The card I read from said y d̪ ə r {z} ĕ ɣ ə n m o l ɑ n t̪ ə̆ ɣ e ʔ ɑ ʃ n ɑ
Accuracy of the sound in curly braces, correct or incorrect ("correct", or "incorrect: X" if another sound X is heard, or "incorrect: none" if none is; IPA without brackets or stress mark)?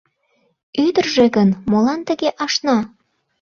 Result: incorrect: ʒ